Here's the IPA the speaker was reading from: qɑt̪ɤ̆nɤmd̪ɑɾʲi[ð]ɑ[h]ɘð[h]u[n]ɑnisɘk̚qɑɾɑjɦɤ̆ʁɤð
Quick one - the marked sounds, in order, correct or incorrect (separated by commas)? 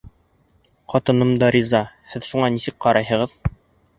incorrect, correct, incorrect, incorrect